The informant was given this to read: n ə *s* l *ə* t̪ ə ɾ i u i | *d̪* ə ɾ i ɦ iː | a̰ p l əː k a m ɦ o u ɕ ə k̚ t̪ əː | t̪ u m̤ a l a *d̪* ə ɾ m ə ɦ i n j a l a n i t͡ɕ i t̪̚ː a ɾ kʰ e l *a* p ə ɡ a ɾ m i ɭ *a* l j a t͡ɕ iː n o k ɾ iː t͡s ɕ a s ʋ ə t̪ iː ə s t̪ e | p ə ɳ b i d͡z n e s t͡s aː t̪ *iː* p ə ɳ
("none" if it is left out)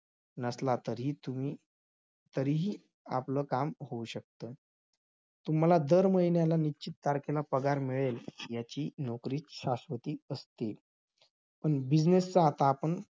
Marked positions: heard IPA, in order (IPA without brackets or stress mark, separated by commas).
s, a, t̪, d̪, a, e, aː